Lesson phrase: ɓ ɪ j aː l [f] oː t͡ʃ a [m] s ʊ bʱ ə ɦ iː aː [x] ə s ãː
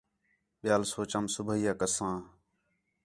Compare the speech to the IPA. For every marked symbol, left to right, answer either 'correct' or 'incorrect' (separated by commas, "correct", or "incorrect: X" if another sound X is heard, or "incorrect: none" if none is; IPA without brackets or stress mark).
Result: incorrect: s, correct, incorrect: k